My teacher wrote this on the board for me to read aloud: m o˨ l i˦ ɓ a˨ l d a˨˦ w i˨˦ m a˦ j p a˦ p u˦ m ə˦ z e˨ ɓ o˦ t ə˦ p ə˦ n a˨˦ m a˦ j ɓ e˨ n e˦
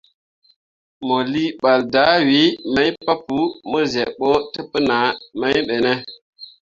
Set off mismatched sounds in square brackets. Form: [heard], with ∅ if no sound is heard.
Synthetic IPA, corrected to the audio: m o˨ l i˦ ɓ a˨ l d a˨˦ w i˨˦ m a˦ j p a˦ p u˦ m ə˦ z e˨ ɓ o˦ t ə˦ p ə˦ n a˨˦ m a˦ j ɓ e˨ n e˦